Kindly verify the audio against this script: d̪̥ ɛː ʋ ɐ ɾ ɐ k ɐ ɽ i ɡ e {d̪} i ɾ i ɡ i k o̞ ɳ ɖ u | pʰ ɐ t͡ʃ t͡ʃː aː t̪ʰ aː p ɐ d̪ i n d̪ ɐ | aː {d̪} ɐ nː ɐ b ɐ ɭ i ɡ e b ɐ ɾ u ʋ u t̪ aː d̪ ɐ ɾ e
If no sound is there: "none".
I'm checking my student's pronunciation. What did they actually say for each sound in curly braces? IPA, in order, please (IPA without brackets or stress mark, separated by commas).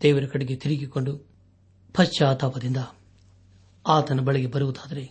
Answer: t̪, t̪